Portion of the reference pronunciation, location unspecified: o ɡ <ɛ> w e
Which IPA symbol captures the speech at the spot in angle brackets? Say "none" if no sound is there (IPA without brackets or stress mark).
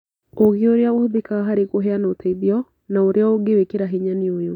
e